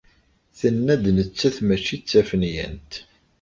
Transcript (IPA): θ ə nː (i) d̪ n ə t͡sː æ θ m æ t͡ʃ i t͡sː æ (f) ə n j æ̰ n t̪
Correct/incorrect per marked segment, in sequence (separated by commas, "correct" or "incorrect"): incorrect, correct